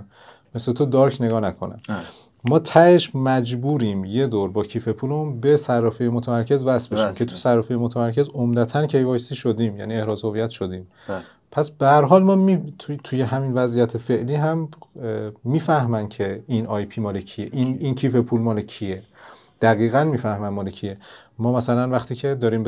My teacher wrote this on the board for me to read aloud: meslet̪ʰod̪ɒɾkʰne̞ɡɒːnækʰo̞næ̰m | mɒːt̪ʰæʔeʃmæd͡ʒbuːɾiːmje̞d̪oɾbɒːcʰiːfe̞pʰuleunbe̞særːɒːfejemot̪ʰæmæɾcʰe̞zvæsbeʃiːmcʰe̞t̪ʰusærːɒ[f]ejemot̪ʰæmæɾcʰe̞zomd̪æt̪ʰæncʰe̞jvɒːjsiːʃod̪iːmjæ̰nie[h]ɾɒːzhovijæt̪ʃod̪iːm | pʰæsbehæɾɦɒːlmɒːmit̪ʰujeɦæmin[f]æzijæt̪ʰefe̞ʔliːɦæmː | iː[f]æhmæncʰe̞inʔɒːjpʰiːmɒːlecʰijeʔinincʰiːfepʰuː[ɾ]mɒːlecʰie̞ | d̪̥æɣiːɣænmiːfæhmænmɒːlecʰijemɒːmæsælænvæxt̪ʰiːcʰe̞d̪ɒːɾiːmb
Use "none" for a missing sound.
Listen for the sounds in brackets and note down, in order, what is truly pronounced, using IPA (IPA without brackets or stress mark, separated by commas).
f, h, v, f, l